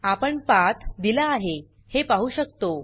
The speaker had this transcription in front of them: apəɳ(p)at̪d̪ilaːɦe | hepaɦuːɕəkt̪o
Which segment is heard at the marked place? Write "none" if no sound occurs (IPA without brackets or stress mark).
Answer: p